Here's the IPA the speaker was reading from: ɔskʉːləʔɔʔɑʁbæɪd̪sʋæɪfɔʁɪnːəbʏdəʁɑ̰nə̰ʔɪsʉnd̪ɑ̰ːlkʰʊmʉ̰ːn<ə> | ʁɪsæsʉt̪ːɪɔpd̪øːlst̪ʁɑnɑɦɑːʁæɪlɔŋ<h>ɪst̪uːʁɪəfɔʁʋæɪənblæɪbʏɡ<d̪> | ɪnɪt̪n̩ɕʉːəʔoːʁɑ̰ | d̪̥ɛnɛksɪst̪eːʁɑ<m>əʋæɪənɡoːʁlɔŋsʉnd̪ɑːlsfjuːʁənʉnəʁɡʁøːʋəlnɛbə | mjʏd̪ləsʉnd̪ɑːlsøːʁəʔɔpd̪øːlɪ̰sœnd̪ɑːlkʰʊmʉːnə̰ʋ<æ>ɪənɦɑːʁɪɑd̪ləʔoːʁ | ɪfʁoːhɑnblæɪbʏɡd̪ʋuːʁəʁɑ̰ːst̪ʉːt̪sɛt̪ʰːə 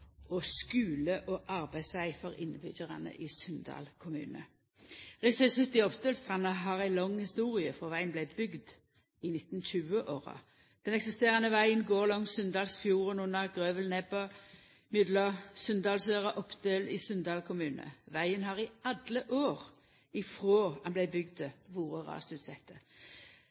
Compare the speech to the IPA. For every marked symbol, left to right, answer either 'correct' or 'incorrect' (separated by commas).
correct, correct, correct, incorrect, correct